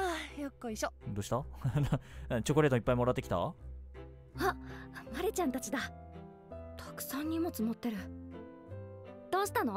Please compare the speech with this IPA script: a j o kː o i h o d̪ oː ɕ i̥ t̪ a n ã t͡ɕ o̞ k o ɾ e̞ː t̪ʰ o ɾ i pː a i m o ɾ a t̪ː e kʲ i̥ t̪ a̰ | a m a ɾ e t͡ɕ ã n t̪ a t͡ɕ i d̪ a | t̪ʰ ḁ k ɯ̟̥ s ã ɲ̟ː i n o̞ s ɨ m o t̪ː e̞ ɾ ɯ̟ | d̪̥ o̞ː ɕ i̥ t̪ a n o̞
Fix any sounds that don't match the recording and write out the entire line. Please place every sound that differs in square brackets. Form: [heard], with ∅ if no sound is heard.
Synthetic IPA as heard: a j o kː o i [ɕ] o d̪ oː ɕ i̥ t̪ a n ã t͡ɕ o̞ k o ɾ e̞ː [t̪] o [∅] i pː a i m o ɾ a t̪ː e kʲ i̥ t̪ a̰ | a m a ɾ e t͡ɕ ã n t̪ a t͡ɕ i d̪ a | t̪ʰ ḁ k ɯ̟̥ s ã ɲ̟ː i [m] o̞ [t͡s] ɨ m o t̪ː e̞ ɾ ɯ̟ | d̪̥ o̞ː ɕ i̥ t̪ a n o̞